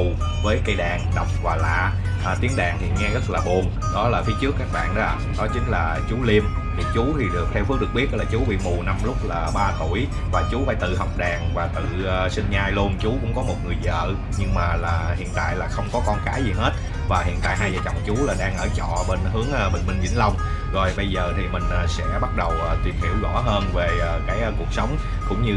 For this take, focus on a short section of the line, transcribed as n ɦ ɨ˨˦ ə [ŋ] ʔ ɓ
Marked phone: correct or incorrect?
correct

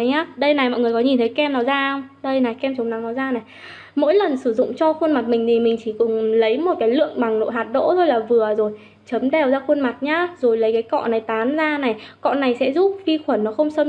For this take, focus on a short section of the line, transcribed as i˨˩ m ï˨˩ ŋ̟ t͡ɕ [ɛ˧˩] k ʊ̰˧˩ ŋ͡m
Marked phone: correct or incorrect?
incorrect: i˧˩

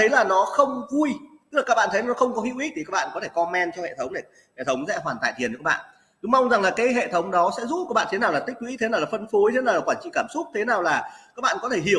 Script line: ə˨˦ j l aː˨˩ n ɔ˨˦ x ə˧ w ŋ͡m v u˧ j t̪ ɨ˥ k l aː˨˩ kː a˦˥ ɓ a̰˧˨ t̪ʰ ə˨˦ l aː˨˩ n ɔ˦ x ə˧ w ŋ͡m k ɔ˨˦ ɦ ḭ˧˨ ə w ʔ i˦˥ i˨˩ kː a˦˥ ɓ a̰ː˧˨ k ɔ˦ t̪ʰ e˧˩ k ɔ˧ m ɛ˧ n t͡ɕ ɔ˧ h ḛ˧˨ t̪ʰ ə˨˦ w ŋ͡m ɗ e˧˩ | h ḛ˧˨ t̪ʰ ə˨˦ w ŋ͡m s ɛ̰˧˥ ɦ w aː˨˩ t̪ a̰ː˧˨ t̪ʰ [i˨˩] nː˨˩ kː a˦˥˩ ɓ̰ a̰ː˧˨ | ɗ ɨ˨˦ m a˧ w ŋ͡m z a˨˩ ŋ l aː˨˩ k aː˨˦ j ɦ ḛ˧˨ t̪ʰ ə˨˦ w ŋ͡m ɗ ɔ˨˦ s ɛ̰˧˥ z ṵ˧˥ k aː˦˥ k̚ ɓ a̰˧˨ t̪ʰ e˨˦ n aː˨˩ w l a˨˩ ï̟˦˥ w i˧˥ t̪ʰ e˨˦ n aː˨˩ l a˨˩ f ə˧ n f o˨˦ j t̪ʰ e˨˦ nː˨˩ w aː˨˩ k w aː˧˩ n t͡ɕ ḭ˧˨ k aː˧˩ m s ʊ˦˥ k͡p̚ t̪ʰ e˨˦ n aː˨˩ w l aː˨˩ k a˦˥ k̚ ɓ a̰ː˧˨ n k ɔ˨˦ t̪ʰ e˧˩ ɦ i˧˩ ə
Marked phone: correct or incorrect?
correct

